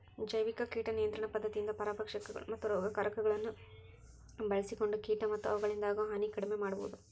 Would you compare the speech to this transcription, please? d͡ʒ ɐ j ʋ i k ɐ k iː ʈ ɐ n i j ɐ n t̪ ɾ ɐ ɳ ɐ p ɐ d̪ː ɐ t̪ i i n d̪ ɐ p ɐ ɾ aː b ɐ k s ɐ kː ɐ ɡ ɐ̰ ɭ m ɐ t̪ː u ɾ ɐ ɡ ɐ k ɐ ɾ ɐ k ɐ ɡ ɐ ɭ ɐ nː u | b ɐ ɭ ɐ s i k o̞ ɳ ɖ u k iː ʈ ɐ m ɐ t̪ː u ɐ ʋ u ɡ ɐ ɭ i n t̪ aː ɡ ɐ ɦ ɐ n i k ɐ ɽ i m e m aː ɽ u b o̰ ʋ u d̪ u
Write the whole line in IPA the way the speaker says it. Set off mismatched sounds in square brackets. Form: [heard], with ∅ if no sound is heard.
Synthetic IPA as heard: d͡ʒ ɐ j ʋ i k ɐ k iː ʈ ɐ n i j ɐ n t̪ ɾ ɐ ɳ ɐ p ɐ d̪ː ɐ t̪ i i n d̪ ɐ p ɐ ɾ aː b ɐ k [ʂ] ɐ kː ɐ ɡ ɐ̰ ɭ m ɐ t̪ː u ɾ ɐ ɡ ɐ k ɐ ɾ ɐ k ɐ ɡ ɐ ɭ ɐ nː u | b ɐ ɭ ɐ s i k o̞ ɳ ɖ u k iː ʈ ɐ m ɐ t̪ː u ɐ ʋ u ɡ ɐ ɭ i n [d̪] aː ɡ ɐ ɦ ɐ n i k ɐ ɽ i m e m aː ɽ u b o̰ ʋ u d̪ u